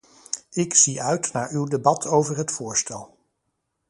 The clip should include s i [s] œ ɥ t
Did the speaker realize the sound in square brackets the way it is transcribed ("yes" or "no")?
no